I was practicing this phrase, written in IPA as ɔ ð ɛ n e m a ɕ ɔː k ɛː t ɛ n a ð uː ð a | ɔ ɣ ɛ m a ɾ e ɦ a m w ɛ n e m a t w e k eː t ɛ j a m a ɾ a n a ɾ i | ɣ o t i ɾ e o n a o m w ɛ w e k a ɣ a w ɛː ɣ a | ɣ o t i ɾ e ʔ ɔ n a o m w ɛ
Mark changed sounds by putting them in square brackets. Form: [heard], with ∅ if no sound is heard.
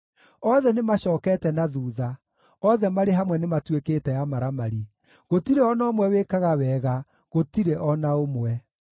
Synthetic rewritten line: ɔ ð ɛ n e m a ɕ ɔː k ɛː t ɛ n a ð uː ð a | ɔ [ð] ɛ m a ɾ e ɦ a m w ɛ n e m a t w e k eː t ɛ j a m a ɾ a [m] a ɾ i | ɣ o t i ɾ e [ɔ] n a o m w ɛ w e k a ɣ a w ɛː ɣ a | ɣ o t i ɾ e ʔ ɔ n a o m w ɛ